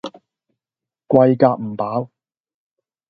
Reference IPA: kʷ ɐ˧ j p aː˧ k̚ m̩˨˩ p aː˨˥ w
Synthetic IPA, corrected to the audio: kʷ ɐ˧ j k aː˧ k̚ m̩˨˩ p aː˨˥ w